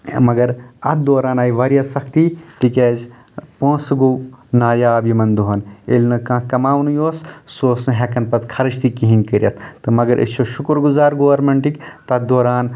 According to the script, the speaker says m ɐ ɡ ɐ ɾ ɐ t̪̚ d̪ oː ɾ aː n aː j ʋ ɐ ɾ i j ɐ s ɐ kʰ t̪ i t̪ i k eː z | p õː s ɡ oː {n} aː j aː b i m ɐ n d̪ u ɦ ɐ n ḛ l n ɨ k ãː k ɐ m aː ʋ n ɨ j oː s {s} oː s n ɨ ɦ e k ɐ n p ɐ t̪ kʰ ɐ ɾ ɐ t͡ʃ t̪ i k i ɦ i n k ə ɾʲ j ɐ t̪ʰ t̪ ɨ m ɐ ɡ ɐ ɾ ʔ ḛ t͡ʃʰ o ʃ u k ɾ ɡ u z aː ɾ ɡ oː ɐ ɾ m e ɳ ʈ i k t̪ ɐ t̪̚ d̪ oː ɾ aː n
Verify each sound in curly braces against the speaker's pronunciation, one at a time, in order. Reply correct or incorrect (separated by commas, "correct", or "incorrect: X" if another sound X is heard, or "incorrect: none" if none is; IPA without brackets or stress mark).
correct, correct